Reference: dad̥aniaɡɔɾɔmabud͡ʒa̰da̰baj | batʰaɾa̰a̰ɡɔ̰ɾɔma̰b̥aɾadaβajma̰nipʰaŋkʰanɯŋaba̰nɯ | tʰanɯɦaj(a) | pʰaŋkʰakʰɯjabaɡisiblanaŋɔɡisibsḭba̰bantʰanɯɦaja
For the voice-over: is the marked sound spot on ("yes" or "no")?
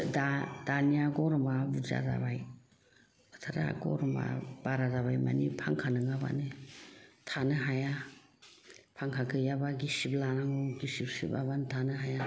yes